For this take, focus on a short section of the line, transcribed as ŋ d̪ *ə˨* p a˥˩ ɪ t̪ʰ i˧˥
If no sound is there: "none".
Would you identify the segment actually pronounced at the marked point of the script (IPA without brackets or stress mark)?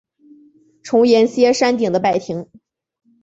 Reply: ə˦